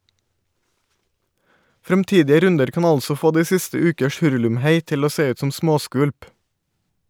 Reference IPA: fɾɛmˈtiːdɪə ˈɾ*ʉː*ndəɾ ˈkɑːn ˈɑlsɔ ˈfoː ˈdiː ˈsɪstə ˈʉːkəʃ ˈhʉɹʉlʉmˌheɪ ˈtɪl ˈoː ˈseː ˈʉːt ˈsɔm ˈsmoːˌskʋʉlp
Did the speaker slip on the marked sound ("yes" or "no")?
yes